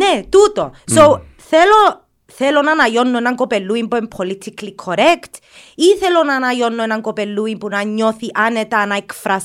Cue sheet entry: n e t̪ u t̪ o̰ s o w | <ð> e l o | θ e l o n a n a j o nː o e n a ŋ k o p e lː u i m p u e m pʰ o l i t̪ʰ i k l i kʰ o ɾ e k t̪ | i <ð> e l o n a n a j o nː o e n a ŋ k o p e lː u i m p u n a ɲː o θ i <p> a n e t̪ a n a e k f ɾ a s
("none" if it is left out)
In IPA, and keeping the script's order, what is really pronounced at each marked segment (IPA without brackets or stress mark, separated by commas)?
θ, θ, ʔ